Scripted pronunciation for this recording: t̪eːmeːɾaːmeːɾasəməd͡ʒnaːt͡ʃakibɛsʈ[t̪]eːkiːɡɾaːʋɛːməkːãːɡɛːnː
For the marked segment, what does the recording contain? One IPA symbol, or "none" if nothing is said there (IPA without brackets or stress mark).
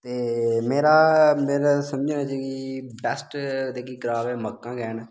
d̪